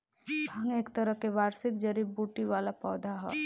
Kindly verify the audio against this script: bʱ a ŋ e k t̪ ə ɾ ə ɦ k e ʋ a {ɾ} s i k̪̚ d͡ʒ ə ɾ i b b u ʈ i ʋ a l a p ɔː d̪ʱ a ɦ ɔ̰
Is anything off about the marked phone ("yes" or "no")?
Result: no